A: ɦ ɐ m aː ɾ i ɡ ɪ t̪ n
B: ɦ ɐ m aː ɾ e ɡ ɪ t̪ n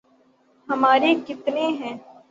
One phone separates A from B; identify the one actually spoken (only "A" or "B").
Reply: B